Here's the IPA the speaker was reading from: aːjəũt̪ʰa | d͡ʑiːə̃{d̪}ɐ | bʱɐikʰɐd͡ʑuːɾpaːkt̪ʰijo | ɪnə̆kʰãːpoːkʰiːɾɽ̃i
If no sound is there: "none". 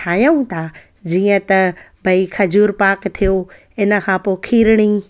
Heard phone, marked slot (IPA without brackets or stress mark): t̪